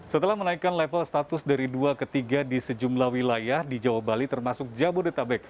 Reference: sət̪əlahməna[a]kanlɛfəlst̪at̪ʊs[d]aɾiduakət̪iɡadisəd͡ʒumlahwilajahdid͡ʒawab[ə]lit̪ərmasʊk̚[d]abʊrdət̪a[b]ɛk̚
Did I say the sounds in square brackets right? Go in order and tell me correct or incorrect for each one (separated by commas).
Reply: incorrect, correct, incorrect, incorrect, correct